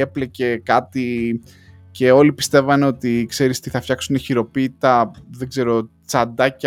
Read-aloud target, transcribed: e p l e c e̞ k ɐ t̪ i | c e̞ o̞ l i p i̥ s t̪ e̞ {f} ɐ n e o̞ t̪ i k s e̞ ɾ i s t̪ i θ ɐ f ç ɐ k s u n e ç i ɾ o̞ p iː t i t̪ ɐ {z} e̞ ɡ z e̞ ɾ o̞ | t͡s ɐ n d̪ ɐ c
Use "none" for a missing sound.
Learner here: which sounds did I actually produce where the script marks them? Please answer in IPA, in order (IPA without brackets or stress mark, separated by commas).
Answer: v, ð